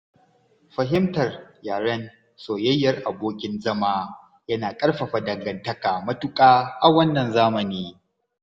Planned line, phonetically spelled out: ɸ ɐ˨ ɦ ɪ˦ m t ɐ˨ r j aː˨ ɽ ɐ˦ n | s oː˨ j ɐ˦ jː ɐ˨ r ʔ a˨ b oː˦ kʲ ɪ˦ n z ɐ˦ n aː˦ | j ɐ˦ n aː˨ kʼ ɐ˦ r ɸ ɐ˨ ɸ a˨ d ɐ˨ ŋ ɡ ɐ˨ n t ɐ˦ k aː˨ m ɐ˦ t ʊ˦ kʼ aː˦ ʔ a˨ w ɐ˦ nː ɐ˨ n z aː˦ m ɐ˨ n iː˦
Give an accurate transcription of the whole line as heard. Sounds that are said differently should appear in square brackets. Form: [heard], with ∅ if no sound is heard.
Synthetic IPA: ɸ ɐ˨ ɦ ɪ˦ m t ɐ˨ r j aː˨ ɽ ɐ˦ n | s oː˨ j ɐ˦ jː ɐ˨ r ʔ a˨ b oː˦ kʲ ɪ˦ n z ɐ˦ [m] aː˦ | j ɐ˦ n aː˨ kʼ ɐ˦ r ɸ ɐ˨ ɸ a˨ d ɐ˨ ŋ ɡ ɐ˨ n t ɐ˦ k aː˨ m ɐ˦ t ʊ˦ kʼ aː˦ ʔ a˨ w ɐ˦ nː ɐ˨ n z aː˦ m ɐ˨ n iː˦